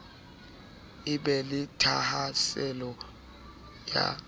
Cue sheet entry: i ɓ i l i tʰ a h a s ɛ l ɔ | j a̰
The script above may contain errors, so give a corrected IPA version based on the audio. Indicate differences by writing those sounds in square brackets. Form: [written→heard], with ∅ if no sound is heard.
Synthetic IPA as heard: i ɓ [i→ɛ] l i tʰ a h a s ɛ l ɔ | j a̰